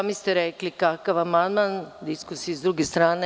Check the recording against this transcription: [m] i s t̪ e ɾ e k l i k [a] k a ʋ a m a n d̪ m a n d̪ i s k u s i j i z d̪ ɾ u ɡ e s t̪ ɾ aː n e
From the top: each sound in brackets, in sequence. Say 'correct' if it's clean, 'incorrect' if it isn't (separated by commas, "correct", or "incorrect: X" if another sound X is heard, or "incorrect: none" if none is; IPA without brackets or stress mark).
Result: correct, correct